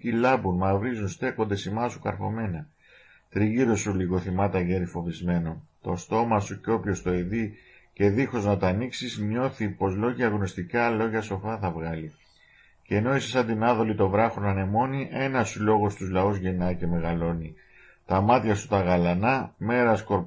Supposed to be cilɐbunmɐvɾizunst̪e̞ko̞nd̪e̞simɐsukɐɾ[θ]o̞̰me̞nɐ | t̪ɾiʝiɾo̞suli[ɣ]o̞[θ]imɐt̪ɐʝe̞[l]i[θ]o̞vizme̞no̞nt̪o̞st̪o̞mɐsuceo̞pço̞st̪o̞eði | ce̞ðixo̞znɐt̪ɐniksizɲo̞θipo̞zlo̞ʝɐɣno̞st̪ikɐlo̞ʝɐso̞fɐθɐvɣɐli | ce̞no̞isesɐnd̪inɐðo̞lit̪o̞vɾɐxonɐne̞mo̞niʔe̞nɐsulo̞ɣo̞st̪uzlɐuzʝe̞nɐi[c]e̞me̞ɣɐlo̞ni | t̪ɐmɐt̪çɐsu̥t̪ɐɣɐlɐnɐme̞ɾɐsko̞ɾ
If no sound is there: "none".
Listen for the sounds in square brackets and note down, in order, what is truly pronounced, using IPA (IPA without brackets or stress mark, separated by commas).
x, ɣ, θ, ɾ, f, c